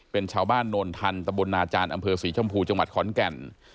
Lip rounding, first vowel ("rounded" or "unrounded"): unrounded